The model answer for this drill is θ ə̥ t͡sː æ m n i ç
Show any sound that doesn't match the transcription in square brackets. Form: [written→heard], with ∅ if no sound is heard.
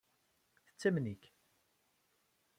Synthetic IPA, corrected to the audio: θ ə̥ t͡sː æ m n i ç